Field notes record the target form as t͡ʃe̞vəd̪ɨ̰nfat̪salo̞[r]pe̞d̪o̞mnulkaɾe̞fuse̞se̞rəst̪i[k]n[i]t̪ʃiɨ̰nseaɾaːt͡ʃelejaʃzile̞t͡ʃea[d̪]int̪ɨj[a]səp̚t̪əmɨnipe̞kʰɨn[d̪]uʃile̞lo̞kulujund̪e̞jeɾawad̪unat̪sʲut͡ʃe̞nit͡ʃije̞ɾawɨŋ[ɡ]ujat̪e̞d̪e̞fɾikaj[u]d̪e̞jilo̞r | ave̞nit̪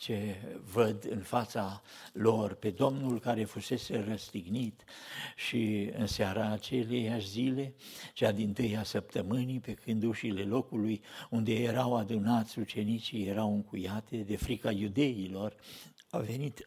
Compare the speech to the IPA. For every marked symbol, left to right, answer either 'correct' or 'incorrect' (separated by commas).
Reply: correct, incorrect, correct, correct, correct, correct, incorrect, correct